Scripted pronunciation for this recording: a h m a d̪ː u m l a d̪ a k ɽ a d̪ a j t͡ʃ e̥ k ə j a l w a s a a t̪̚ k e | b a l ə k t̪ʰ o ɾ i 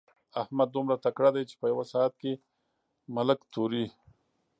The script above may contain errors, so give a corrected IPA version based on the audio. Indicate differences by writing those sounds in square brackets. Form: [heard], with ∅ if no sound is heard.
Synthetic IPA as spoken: a h m a d̪ː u m [ɾ] a [t̪] a k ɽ a d̪ a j t͡ʃ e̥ [p] ə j a [∅] w a s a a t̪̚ k e | [m] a l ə k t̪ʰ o ɾ i

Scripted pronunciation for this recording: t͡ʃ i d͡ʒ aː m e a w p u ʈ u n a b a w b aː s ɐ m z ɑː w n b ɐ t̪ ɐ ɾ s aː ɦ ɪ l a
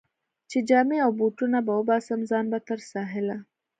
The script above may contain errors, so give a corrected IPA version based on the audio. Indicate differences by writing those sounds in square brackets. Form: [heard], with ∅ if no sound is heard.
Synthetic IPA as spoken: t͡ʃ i d͡ʒ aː m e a w [b] u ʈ u n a b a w b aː s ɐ m z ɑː [∅] n b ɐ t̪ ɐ ɾ s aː ɦ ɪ l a

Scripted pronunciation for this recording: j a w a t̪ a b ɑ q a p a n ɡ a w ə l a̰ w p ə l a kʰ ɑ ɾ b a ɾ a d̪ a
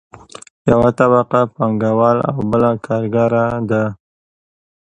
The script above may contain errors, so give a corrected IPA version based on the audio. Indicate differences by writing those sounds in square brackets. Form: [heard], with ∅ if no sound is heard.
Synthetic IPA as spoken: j a w a t̪ a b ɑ q a p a [ŋ] ɡ a w [ɑ] l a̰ w [b] ə l a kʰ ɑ ɾ [ɡ] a ɾ a d̪ a

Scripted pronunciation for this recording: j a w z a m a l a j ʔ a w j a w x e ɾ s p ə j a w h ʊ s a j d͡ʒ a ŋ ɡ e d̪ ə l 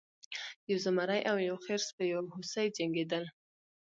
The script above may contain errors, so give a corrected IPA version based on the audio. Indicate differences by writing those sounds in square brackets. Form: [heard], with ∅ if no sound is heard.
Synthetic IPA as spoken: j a w z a m a [ɾ] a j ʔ a w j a w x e ɾ s p ə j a w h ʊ s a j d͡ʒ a ŋ ɡ e d̪ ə l

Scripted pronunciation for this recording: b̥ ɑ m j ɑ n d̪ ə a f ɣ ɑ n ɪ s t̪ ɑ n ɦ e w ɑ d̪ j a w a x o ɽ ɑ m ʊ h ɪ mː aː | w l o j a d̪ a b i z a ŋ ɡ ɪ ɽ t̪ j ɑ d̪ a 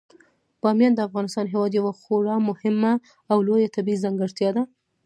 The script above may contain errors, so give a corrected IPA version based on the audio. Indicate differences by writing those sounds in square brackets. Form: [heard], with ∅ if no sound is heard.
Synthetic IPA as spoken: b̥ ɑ m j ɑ n d̪ ə a f ɣ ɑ n ɪ s t̪ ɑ n ɦ e w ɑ d̪ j a w a x o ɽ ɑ m ʊ h ɪ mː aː | w l o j a [t̪] a b i z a ŋ ɡ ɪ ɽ t̪ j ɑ d̪ a

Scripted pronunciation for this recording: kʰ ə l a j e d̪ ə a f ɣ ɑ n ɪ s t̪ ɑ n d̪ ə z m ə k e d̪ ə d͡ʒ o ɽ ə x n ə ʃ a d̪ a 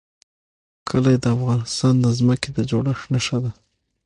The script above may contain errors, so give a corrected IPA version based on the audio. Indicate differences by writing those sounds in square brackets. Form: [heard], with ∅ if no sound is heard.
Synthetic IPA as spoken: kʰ ə l a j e d̪ ə a f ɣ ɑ n ɪ s t̪ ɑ n d̪ ə z m ə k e d̪ ə d͡ʒ o ɽ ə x n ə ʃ a d̪ a

